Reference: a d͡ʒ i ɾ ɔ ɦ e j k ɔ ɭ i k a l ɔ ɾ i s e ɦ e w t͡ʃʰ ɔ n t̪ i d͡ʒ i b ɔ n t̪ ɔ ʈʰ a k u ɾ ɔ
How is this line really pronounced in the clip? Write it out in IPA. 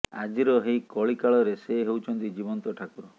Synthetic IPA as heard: a d͡ʒ i ɾ ɔ ɦ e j k ɔ ɭ i k a ɭ ɔ ɾ e s e ɦ e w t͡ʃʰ ɔ n t̪ i d͡ʒ i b ɔ n t̪ ɔ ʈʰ a k u ɾ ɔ